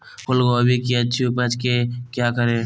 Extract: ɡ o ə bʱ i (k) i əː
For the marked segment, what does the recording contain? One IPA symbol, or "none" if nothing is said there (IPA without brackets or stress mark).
k